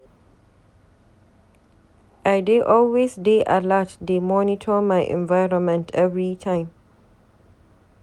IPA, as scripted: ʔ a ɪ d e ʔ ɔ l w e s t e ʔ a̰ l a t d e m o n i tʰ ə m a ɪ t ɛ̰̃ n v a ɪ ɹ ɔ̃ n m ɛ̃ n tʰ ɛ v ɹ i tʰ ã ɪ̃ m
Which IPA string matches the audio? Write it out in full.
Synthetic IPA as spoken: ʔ a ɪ d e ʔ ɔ l w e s d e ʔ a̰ l a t d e m ɔ n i tʰ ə m a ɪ ʔ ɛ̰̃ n v a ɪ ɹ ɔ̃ n m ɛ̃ n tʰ ɛ v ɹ i tʰ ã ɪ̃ m